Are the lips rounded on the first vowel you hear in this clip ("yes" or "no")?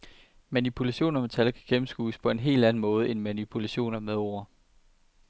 no